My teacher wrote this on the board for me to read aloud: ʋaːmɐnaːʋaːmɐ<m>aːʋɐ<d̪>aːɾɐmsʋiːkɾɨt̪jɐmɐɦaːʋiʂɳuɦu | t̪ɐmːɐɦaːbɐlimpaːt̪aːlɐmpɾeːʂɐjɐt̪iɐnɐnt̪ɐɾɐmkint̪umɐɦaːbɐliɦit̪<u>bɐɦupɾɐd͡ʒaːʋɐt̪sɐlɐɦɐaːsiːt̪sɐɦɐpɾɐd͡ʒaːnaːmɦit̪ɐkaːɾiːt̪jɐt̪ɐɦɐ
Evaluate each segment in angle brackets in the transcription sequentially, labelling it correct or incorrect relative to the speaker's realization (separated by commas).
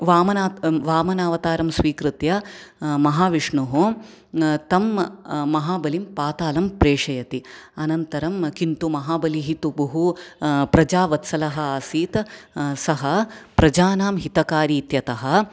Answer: incorrect, incorrect, correct